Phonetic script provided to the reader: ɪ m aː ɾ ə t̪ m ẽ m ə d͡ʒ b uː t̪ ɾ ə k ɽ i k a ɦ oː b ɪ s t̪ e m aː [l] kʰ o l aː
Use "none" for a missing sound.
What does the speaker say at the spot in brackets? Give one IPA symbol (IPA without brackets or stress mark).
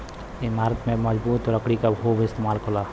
l